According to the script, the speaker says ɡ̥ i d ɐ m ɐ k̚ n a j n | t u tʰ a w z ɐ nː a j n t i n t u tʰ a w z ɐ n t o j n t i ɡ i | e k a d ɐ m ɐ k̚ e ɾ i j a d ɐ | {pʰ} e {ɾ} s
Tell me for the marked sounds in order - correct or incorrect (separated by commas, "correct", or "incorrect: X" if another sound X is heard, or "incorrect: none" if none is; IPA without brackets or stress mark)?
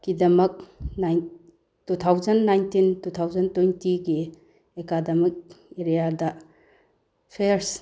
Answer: correct, correct